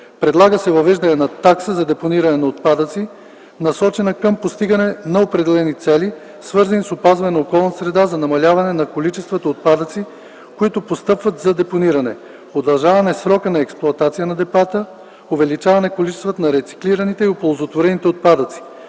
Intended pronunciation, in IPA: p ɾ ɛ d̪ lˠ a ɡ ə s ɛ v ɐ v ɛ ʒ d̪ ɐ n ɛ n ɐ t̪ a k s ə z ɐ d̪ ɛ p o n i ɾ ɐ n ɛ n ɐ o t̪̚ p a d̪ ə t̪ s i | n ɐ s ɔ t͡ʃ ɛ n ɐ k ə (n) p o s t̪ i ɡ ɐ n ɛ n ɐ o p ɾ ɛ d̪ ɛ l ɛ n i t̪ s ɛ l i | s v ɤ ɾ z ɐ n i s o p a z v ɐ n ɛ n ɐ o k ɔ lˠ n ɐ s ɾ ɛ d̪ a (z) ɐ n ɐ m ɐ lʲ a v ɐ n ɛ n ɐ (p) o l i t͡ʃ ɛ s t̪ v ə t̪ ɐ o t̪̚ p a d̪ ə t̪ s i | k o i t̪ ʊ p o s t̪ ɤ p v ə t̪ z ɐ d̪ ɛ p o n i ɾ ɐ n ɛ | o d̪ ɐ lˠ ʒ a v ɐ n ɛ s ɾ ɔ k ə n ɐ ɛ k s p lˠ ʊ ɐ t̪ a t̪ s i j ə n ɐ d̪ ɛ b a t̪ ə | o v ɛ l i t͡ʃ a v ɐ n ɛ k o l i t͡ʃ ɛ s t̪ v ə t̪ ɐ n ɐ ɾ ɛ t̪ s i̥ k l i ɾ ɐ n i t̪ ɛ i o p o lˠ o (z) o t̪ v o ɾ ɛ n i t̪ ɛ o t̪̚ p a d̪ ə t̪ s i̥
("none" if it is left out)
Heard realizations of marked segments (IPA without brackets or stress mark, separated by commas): m, z, k, z